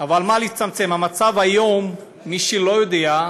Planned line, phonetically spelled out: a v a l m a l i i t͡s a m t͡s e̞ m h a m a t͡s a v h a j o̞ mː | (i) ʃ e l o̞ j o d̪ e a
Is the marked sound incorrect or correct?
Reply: correct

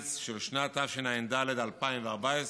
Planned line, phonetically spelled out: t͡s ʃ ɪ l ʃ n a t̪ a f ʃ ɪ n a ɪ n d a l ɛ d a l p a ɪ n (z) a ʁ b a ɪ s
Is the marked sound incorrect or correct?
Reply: incorrect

